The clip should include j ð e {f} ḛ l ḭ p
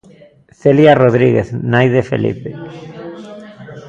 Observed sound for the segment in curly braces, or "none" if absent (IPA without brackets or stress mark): f